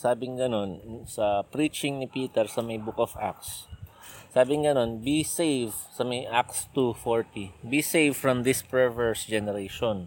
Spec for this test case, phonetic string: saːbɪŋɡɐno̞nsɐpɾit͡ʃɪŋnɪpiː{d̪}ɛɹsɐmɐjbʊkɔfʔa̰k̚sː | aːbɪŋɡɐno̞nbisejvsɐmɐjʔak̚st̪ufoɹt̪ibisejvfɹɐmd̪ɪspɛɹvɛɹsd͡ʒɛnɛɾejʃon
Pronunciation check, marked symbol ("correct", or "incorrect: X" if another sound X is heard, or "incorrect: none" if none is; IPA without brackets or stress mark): incorrect: t̪